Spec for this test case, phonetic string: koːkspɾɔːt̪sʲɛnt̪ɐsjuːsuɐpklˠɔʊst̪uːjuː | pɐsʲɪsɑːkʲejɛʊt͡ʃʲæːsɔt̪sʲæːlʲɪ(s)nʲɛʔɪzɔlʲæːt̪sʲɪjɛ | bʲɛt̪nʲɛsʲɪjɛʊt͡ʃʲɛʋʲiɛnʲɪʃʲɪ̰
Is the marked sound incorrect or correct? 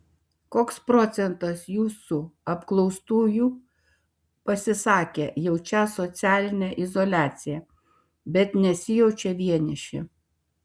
incorrect